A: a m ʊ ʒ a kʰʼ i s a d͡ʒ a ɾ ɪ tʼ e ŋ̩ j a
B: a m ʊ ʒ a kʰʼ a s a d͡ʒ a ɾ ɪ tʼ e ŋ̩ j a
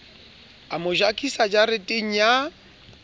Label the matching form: A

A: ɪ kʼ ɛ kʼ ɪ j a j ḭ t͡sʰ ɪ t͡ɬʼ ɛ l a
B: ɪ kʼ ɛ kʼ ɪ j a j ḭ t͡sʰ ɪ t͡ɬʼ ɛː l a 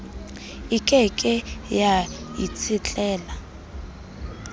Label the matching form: B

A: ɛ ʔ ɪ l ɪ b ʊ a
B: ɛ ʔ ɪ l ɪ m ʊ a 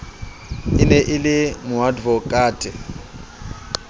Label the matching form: B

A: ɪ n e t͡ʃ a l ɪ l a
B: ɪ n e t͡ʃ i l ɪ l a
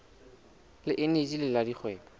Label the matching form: B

